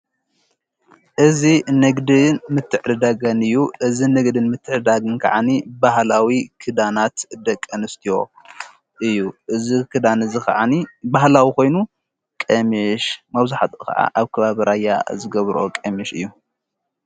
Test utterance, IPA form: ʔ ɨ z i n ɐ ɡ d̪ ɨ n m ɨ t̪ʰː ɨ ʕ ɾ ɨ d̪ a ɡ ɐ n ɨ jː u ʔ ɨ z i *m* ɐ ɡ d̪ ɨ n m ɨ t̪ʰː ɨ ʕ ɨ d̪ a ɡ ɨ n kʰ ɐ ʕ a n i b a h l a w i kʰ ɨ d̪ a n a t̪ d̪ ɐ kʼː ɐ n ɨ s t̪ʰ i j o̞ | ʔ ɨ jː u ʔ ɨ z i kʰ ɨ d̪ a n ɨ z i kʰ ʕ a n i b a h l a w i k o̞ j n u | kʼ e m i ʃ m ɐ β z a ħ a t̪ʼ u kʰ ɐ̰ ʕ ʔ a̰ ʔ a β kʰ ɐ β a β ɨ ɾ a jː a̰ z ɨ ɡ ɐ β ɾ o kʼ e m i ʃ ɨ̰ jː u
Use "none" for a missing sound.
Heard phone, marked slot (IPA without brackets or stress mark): n